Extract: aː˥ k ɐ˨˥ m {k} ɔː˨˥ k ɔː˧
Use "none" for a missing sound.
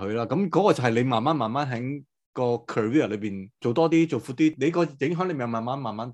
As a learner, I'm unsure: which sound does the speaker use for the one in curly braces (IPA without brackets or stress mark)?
k